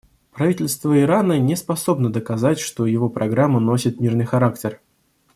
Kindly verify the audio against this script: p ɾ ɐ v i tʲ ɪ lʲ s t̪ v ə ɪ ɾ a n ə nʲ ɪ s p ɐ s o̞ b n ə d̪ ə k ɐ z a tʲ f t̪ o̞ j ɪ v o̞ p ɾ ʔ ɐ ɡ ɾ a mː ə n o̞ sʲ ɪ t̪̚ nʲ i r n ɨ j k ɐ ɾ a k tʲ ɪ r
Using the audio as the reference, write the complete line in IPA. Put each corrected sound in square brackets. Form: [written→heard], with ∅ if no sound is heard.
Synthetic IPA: p ɾ ɐ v i tʲ ɪ lʲ s t̪ v ə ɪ ɾ a n ə nʲ ɪ s p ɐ s o̞ b n ə d̪ ə k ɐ z a tʲ [f→ʂ] t̪ o̞ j ɪ v o̞ p ɾ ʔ ɐ ɡ ɾ a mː ə n o̞ sʲ ɪ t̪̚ [nʲ→mʲ] i r n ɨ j [k→x] ɐ ɾ a k tʲ ɪ r